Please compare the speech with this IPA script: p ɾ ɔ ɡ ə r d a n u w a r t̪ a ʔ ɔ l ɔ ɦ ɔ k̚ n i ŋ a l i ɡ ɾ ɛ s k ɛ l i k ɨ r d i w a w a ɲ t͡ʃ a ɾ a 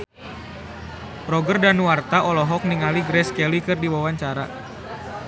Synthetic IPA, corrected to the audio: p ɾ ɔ ɡ ə r d a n u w a r t̪ a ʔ ɔ l ɔ ɦ ɔ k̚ n i ŋ a l i ɡ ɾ ɛ s k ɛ l i k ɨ r d i w a w a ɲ t͡ʃ a ɾ a